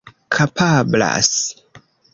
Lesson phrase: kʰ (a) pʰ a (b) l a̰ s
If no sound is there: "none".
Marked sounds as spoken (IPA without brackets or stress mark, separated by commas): a, b